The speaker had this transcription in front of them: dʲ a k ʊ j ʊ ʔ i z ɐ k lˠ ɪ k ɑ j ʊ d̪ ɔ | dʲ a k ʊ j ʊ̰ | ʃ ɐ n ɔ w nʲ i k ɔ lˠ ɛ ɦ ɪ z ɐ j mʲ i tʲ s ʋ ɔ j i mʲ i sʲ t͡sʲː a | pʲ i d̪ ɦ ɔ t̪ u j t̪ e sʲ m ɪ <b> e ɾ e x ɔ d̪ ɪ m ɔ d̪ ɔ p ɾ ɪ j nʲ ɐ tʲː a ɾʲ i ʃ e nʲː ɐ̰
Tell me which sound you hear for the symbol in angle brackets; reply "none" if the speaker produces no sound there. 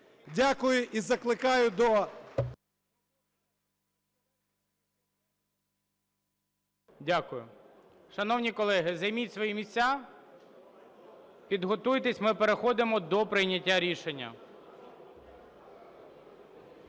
p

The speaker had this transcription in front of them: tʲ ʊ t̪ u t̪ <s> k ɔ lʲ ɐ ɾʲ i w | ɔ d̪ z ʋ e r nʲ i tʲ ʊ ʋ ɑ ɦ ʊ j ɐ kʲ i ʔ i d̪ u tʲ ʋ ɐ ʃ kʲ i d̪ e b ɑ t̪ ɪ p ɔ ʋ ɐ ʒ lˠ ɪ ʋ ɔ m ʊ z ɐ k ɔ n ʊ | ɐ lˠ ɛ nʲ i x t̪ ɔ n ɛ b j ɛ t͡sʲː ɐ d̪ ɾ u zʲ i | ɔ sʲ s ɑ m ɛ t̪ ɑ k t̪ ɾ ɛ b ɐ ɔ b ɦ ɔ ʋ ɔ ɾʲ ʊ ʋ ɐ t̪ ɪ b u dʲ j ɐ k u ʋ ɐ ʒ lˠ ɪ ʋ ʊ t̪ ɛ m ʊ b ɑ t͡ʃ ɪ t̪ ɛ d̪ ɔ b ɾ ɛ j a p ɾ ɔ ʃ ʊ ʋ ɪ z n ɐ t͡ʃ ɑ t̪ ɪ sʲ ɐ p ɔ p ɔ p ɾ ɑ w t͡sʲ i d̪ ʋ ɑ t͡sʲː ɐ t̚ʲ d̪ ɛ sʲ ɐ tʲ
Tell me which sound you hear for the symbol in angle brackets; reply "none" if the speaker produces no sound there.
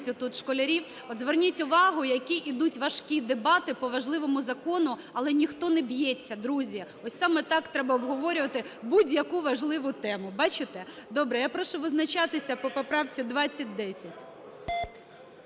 ʃ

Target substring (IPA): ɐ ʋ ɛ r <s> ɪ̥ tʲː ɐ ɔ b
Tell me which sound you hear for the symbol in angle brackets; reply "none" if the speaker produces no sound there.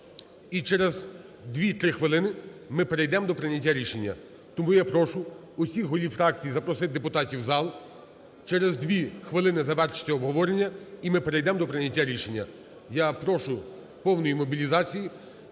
ʃ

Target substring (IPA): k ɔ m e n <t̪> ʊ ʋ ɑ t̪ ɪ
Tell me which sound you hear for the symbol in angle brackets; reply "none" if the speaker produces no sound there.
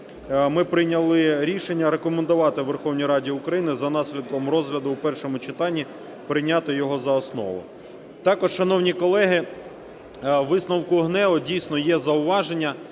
d̪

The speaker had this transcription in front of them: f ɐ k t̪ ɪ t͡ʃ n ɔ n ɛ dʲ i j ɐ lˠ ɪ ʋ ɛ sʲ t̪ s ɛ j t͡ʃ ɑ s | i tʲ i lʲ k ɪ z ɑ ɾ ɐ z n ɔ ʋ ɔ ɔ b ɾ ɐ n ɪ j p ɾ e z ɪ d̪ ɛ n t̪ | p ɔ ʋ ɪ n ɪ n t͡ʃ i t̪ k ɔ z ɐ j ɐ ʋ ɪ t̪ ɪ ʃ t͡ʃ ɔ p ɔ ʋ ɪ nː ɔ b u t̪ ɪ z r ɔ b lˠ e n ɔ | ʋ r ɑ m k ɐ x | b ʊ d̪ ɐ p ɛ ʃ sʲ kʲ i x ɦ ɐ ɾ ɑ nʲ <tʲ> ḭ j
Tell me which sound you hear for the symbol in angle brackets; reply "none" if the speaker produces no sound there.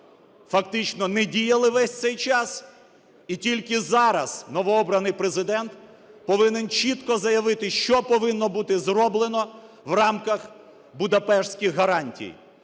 tʲ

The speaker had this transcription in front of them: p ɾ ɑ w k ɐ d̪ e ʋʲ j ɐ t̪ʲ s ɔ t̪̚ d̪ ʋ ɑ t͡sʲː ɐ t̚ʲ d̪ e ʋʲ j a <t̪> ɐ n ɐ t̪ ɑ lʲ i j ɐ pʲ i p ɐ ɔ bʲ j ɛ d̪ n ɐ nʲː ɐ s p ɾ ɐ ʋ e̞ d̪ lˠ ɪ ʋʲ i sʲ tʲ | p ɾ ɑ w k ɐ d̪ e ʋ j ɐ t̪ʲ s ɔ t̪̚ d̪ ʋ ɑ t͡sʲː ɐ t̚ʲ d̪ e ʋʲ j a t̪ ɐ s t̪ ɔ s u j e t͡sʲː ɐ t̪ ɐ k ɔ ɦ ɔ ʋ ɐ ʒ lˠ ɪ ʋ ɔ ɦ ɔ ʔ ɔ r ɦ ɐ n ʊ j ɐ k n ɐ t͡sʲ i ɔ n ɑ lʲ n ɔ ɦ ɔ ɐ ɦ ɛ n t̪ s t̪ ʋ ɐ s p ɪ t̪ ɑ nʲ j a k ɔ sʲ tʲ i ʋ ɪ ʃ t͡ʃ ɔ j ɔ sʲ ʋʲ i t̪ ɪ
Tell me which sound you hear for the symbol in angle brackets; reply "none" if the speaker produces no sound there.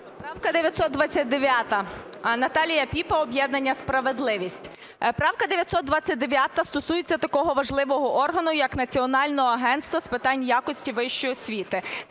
t̪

